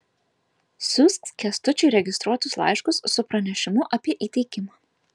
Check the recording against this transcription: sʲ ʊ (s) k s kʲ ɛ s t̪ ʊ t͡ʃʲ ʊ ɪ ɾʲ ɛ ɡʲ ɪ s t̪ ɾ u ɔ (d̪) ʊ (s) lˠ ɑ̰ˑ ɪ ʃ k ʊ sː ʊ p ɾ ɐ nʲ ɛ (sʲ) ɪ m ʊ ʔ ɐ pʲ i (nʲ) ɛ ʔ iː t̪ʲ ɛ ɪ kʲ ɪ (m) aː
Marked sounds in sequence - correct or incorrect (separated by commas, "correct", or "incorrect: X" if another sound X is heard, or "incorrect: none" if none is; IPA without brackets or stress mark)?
correct, incorrect: t̪, correct, incorrect: ʃʲ, incorrect: none, correct